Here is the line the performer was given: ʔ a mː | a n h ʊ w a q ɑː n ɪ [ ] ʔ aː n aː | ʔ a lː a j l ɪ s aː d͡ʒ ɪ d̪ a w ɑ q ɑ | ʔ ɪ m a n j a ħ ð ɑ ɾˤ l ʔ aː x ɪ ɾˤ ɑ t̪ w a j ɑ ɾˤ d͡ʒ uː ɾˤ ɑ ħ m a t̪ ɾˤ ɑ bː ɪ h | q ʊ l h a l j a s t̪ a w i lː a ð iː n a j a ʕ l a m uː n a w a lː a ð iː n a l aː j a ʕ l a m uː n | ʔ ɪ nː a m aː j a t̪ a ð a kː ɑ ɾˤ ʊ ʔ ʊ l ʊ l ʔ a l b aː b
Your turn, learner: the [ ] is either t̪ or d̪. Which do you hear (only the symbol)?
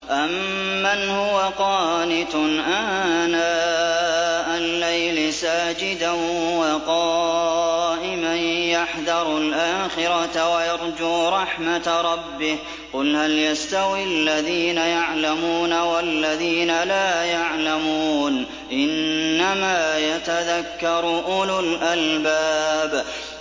t̪